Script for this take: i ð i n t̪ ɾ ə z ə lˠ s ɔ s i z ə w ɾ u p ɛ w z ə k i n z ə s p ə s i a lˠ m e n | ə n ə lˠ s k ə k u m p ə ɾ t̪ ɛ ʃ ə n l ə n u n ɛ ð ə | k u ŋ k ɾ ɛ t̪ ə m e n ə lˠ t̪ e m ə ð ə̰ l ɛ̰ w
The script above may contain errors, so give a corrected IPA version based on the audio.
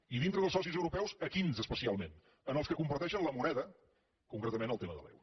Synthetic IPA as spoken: i ð i n t̪ ɾ ə ð ə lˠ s ɔ s i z ə w ɾ u p ɛ w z ə k i n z ə s p ə s i a lˠ m e n | ə n ə lˠ s k ə k u m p ə ɾ t̪ ɛ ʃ ə n l ə m u n ɛ ð ə | k u ŋ k ɾ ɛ t̪ ə m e n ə lˠ t̪ e m ə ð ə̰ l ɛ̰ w